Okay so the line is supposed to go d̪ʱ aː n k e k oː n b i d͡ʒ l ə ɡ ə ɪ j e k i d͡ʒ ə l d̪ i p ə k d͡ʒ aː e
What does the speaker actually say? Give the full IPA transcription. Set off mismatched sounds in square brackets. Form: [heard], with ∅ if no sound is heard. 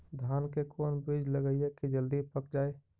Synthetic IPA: d̪ʱ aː n k e k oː n b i d͡ʒ l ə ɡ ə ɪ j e k i d͡ʒ ə l d̪ i p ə k d͡ʒ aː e

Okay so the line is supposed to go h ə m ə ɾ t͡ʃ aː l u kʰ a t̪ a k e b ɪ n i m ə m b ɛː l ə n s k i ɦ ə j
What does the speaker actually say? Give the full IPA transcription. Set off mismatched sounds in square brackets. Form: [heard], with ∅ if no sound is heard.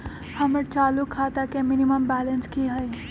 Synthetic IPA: h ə m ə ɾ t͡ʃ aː l u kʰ a t̪ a k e [m] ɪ n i m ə m b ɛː l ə n s k i ɦ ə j

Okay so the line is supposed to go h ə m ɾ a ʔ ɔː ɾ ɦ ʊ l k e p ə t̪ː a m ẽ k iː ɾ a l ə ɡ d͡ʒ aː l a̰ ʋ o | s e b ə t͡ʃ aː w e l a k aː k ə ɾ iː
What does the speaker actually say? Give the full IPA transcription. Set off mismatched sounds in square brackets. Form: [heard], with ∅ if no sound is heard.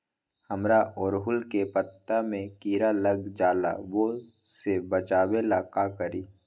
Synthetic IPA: h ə m ɾ a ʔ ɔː ɾ ɦ ʊ l k e p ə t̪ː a m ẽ k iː ɾ a l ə ɡ d͡ʒ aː l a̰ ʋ o | s e b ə t͡ʃ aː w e l a k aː k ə ɾ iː

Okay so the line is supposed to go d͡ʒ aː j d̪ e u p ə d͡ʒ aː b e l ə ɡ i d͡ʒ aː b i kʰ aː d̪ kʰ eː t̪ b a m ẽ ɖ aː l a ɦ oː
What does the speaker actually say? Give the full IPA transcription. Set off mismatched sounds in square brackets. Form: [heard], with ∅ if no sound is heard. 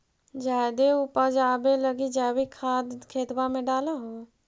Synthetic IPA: d͡ʒ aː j d̪ e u p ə d͡ʒ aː b e l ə ɡ i d͡ʒ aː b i kʰ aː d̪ kʰ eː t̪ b a m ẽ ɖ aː l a ɦ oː

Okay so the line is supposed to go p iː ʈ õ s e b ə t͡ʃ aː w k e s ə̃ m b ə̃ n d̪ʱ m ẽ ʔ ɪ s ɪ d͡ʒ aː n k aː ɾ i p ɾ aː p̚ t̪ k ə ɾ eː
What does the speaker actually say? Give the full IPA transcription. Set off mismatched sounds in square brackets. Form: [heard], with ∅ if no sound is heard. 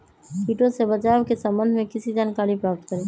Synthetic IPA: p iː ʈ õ s e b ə t͡ʃ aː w k e s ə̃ m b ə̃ n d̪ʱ m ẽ [k] ɪ s [i] d͡ʒ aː n k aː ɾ i p ɾ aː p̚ t̪ k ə ɾ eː

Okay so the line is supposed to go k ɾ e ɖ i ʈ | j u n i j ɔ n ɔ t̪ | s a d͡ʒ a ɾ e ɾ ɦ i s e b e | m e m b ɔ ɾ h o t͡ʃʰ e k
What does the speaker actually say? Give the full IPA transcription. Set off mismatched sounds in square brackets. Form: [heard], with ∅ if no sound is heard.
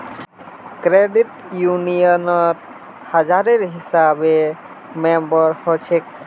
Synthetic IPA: k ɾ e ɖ i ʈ | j u n i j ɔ n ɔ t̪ | [h] a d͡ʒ a ɾ e ɾ ɦ i s [a] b e | m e m b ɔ ɾ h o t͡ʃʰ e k

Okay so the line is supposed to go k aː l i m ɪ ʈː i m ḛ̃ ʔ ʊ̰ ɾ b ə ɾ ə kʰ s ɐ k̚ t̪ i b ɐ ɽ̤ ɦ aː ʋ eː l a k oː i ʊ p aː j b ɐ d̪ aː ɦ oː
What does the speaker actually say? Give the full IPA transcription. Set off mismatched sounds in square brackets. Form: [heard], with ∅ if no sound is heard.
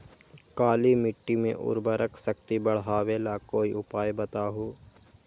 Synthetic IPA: k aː l i m ɪ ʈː i m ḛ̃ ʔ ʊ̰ ɾ b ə ɾ ə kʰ s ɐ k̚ t̪ i b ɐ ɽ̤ ɦ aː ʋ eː l a k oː i ʊ p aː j b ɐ [t̪] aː ɦ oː

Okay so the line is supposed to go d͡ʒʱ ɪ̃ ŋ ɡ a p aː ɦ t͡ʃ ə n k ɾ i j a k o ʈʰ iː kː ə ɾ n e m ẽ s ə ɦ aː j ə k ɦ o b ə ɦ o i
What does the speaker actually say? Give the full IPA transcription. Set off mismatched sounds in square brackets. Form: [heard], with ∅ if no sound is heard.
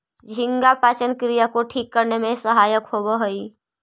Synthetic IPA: d͡ʒʱ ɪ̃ ŋ ɡ a p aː [∅] t͡ʃ ə n k ɾ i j a k o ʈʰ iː kː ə ɾ n e m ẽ s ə ɦ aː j ə k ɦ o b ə ɦ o i

